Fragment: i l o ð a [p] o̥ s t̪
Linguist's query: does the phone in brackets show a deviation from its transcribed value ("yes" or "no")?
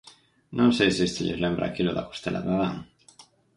yes